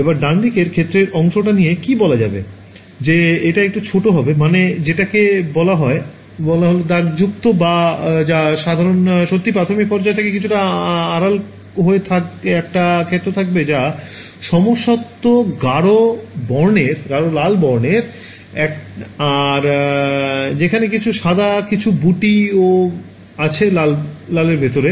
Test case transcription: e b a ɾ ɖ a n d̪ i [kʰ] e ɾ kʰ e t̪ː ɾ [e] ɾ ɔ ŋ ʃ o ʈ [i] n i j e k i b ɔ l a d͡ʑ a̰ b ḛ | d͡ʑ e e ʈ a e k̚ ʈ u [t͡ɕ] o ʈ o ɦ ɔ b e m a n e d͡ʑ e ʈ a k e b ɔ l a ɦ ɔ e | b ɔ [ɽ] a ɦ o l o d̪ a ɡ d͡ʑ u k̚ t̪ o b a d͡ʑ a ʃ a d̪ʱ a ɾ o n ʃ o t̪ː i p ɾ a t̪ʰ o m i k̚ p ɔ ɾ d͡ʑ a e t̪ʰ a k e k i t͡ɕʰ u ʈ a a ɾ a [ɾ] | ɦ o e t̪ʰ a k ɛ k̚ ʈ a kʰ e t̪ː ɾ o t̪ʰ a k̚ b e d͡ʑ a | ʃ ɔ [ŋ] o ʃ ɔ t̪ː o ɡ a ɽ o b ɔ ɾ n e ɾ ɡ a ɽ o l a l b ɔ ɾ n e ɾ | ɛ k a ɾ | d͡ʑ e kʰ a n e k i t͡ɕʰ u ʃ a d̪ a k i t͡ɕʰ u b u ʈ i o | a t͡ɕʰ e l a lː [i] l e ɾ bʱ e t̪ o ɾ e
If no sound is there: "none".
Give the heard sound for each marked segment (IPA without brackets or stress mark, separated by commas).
k, e, a, t͡ɕʰ, l, l, m, a